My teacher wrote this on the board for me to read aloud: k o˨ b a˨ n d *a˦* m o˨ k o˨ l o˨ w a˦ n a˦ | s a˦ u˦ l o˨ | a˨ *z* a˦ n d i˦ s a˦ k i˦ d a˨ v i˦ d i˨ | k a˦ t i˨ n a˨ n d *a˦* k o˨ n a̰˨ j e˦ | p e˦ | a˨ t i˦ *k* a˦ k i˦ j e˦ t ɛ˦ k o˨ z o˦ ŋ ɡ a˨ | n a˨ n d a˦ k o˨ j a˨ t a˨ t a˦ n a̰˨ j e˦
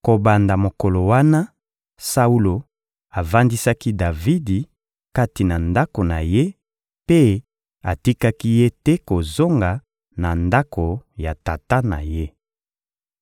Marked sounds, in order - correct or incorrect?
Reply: incorrect, incorrect, correct, correct

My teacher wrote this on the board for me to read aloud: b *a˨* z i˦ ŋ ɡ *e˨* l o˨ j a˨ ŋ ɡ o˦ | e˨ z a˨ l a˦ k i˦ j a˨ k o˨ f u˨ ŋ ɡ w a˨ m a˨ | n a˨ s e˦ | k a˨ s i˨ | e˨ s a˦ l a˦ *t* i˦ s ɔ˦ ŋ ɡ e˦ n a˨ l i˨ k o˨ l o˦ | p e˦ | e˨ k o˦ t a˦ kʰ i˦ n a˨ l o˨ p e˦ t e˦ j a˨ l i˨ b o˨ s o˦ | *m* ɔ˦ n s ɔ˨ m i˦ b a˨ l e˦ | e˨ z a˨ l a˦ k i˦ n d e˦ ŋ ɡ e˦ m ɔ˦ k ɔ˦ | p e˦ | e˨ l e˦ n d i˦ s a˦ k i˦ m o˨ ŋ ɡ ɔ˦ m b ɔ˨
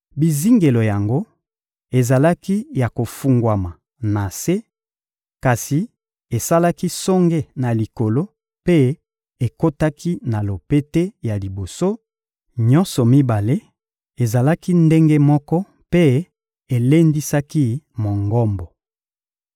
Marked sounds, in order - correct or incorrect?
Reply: incorrect, correct, incorrect, incorrect

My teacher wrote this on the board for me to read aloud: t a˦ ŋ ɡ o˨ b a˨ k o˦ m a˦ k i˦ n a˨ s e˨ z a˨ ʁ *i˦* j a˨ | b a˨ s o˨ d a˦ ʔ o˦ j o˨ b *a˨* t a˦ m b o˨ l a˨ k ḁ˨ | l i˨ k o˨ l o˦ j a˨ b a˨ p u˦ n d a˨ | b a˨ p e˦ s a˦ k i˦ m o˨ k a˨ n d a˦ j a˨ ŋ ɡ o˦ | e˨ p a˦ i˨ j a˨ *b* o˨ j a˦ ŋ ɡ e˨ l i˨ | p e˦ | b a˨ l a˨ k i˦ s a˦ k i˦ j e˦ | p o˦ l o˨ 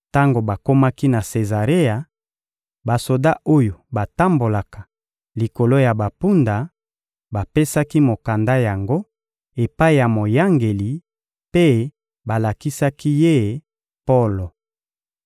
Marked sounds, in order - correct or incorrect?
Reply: incorrect, correct, incorrect

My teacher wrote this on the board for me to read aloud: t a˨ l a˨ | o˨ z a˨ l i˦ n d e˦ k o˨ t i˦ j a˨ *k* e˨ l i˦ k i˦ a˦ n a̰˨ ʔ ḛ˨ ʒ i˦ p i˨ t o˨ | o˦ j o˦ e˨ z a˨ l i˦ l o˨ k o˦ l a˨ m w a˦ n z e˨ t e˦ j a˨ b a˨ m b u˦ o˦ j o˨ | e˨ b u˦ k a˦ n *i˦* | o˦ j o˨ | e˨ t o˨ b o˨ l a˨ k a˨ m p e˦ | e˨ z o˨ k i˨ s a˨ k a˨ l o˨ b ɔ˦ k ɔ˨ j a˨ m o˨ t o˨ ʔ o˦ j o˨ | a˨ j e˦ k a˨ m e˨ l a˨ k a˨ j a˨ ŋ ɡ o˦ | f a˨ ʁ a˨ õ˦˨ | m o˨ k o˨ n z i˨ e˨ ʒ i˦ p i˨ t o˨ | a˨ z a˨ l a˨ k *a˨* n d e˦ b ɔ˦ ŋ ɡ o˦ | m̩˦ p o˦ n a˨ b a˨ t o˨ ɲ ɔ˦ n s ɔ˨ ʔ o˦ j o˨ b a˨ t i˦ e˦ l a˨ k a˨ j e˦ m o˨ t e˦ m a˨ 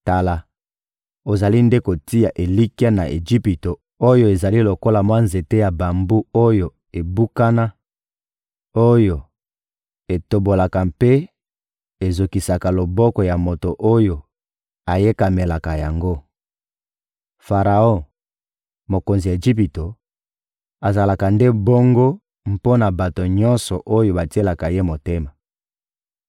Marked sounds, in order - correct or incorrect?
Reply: incorrect, incorrect, correct

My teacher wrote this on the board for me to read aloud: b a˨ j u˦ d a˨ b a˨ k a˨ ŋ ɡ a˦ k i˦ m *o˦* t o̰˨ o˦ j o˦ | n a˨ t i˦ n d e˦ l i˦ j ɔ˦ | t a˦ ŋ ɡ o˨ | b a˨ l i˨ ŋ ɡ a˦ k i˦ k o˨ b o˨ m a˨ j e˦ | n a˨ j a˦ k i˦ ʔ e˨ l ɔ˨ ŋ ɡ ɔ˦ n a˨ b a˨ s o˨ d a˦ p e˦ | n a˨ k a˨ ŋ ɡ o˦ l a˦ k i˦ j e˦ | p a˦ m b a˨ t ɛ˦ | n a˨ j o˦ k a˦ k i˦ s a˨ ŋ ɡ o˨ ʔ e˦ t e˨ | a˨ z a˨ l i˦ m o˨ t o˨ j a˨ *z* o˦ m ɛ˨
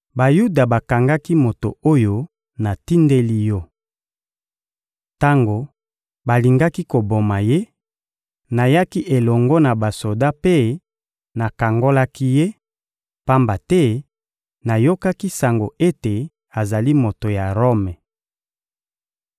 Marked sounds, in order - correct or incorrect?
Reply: incorrect, incorrect

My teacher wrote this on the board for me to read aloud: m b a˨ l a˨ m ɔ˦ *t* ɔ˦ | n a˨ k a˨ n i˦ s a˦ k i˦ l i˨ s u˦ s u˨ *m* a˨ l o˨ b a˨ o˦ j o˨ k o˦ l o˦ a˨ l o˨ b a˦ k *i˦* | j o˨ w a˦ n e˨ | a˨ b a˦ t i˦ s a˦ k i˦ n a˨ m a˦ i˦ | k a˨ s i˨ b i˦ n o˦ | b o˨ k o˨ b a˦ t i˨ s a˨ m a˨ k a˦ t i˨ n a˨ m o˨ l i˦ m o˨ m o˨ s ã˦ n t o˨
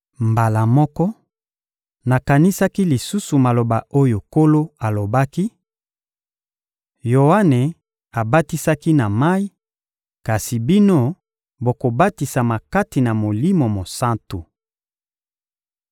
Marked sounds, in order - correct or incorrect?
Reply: incorrect, correct, correct

